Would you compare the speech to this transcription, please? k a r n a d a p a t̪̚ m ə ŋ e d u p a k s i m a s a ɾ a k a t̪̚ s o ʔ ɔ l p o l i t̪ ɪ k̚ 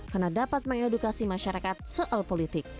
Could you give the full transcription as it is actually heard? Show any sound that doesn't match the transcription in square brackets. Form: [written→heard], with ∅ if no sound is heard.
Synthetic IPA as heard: k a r n a d a p a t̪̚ m ə ŋ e d u [p→k] a [k→∅] s i m a [s→ʃ] a ɾ a k a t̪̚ s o ʔ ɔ l p o l i t̪ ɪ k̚